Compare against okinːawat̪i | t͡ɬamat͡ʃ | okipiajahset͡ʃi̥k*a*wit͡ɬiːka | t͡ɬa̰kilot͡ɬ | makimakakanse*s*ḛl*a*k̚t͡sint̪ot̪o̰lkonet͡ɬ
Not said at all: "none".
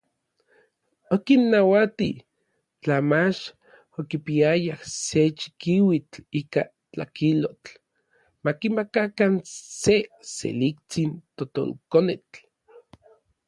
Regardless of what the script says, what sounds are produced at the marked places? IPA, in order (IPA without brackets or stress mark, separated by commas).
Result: i, s, i